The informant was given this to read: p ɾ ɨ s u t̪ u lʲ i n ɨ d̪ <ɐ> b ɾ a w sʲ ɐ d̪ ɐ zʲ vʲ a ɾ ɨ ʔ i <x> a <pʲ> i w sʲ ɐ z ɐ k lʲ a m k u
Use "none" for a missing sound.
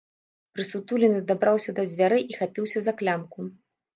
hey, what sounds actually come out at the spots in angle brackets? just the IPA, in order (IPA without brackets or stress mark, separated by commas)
a, x, pʲ